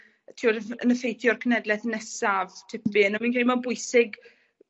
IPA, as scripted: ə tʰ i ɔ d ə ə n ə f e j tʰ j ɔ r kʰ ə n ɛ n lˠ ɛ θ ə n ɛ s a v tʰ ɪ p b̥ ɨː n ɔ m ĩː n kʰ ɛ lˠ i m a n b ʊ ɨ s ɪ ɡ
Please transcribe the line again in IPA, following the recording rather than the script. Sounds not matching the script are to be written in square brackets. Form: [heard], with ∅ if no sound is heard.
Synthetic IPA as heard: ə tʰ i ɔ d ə ə n ə f e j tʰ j ɔ r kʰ ə n ɛ [d] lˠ ɛ θ ə n ɛ s a v tʰ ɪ p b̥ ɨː n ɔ m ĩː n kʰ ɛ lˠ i m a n b ʊ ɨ s ɪ ɡ